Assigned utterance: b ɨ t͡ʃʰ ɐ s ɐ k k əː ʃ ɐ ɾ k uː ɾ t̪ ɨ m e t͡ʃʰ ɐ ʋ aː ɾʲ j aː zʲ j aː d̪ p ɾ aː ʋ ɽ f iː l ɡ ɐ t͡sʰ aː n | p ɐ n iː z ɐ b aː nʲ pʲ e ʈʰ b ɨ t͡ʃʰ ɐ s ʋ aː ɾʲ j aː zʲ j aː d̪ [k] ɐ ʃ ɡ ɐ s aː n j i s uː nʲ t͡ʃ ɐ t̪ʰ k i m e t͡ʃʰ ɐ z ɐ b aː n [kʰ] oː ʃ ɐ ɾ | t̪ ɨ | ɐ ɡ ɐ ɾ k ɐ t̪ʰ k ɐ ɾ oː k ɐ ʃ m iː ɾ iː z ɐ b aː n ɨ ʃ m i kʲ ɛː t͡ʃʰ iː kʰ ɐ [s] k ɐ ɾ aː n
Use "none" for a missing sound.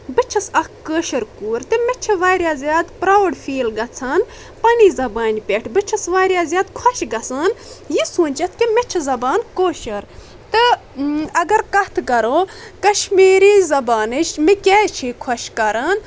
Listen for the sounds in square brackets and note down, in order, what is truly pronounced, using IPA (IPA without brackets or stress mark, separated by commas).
kʰ, k, ʃ